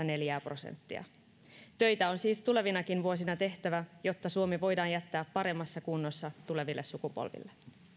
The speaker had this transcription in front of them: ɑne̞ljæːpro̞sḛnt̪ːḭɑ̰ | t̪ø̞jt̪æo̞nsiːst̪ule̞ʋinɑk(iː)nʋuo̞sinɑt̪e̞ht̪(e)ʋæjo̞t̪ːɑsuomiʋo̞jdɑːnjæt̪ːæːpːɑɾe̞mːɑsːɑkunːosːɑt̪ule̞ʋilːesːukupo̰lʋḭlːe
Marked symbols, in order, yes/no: no, no

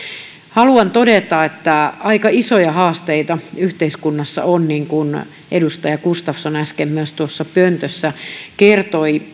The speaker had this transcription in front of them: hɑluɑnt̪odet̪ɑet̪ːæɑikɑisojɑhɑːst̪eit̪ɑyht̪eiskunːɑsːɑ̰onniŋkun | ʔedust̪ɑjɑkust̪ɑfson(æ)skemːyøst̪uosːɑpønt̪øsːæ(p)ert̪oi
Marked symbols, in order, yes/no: yes, no

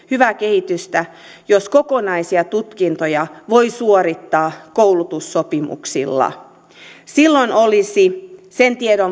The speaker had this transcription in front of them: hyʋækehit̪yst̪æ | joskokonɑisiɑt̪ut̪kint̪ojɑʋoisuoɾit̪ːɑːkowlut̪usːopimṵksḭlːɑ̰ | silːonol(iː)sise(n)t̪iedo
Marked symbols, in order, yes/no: no, yes

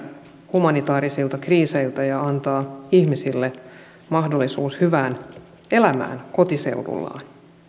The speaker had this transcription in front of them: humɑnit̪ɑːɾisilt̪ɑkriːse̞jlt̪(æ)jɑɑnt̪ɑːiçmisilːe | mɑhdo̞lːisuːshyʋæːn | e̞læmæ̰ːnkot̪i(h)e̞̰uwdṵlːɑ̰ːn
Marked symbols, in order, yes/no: yes, no

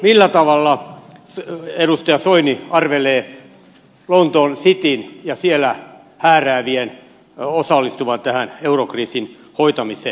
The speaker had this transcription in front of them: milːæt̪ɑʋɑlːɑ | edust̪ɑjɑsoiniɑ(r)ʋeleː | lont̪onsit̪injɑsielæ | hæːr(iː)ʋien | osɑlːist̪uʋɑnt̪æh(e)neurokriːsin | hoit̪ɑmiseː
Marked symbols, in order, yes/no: yes, no, no

